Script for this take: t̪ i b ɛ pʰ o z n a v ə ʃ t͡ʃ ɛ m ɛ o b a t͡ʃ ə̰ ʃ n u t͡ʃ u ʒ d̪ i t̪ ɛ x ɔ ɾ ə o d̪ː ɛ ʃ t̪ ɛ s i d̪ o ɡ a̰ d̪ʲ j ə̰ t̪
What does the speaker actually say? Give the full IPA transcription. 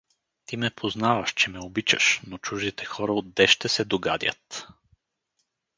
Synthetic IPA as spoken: t̪ i m ɛ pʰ o z n a v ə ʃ t͡ʃ ɛ m ɛ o b i t͡ʃ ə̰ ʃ n o t͡ʃ u ʒ d̪ i t̪ ɛ x ɔ ɾ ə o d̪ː ɛ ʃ t̪ ɛ s ɛ d̪ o ɡ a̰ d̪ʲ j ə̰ t̪